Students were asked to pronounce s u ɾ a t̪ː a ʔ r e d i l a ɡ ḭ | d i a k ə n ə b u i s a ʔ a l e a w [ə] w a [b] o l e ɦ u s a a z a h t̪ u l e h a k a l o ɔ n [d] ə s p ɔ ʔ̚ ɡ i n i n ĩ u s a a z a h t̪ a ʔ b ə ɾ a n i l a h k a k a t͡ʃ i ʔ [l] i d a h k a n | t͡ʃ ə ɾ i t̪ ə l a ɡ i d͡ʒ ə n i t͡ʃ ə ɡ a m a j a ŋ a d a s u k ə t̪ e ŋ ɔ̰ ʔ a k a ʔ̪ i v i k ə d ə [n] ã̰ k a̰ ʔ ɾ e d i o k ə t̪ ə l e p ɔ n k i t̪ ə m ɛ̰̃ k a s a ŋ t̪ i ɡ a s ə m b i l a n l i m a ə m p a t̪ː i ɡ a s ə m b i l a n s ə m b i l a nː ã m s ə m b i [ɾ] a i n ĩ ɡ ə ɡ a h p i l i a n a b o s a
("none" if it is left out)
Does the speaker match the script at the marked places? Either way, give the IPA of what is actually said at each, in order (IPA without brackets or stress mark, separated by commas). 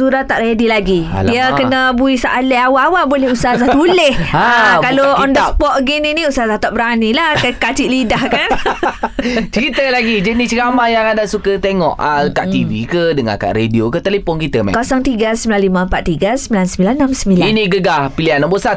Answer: a, b, d, l, ŋ, l